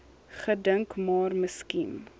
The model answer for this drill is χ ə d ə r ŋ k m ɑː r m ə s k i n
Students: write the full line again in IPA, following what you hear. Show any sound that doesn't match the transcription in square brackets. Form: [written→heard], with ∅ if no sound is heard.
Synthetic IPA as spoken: χ ə d ə [r→∅] ŋ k m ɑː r m ə s k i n